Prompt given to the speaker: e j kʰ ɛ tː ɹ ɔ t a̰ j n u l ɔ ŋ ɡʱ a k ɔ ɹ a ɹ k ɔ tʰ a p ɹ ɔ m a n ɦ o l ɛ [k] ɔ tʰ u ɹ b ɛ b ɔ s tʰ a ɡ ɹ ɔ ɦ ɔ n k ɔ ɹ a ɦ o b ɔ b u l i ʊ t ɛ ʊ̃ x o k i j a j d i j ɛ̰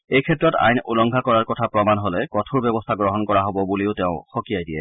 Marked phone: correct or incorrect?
correct